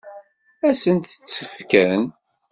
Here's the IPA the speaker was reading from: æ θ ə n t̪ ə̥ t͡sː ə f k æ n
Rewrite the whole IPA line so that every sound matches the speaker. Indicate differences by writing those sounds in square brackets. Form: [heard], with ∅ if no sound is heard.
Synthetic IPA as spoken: æ [s] ə n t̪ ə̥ t͡sː ə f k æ n